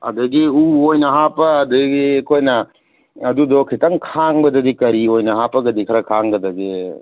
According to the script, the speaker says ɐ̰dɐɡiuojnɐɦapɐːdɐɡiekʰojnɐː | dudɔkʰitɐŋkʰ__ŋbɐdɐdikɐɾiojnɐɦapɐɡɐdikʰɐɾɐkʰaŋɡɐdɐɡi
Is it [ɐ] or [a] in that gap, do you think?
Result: a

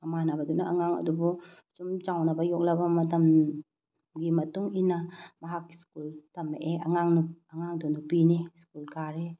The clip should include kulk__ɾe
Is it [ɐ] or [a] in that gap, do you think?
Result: a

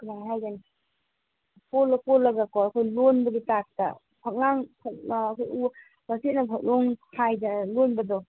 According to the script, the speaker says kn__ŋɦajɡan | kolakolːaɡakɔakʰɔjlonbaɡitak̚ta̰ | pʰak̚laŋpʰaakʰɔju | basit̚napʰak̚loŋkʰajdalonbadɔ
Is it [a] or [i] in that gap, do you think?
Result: a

